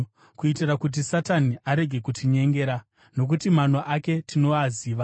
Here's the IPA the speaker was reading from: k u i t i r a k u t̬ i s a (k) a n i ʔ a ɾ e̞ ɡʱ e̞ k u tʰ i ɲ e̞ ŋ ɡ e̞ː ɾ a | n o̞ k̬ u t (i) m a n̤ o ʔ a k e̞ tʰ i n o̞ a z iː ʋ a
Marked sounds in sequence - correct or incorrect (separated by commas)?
incorrect, correct